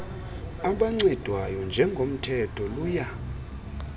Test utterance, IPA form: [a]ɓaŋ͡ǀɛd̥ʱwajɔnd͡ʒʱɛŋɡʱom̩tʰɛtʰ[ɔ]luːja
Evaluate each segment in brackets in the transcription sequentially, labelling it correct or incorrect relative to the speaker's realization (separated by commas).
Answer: correct, correct